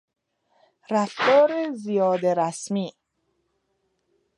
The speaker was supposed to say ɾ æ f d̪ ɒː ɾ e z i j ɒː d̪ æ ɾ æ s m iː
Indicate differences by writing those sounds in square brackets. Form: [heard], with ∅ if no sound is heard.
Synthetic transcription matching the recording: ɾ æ f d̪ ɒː ɾ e z i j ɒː d̪ [e] ɾ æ s m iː